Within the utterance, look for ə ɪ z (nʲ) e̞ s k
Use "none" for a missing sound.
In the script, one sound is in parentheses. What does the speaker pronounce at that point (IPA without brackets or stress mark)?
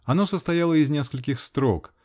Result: nʲ